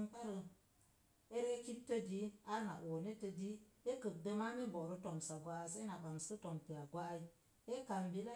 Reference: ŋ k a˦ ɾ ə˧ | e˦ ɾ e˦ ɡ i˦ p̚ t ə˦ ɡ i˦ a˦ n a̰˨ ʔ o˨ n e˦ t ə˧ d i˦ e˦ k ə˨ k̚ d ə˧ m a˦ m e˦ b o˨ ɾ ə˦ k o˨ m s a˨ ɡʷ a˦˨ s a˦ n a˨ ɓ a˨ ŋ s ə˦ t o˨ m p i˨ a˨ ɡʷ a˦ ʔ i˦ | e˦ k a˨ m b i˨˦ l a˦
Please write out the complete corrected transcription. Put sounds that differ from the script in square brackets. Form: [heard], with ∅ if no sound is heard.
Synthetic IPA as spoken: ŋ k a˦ ɾ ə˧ | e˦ ɾ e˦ [k] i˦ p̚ t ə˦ [d] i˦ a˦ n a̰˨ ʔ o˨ n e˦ t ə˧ d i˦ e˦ k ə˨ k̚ d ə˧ m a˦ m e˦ b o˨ ɾ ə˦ [t] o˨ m s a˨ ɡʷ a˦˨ s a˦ n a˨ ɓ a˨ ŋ s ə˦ t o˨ m p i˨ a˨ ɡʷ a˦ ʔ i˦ | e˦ k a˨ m b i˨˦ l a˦